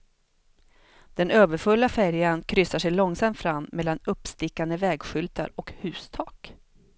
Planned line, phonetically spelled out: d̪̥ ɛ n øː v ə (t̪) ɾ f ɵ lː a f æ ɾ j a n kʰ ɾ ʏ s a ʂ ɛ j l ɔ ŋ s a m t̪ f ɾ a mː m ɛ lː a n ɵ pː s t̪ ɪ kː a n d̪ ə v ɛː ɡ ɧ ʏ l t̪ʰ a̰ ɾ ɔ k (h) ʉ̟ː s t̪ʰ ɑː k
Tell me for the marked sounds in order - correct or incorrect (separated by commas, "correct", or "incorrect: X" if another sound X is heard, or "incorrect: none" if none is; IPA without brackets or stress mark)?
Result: incorrect: none, correct